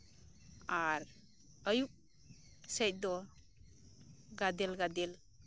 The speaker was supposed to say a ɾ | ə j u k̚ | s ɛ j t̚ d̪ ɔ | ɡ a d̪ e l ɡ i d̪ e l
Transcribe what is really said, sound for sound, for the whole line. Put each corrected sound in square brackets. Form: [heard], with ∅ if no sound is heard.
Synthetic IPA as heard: a ɾ | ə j u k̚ | s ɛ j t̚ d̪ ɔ | ɡ a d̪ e l ɡ [a] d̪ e l